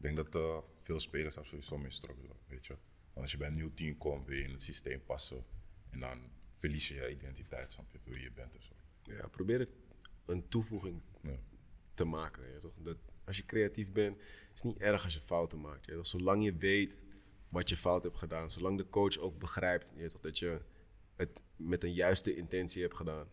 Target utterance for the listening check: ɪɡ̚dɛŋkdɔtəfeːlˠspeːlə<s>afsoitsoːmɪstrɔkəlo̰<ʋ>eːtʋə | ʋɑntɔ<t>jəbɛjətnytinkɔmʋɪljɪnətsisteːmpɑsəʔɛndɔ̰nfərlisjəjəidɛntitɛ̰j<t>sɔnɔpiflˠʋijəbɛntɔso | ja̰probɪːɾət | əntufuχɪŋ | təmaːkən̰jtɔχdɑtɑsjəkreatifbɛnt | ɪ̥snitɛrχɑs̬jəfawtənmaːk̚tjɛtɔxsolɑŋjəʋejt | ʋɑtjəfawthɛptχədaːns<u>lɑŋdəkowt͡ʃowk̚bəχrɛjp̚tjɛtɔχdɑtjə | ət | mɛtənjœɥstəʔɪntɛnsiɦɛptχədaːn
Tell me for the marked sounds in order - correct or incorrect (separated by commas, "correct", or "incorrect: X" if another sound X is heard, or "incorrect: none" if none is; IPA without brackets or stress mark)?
correct, correct, incorrect: s, correct, incorrect: o